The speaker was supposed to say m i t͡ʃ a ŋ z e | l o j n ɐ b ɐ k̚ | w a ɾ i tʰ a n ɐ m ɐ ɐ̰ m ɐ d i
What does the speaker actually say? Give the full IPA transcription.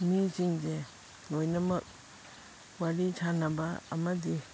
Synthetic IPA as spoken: m i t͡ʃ i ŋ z e | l o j n ɐ m ɐ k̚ | w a ɾ i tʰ a n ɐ b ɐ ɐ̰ m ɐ d i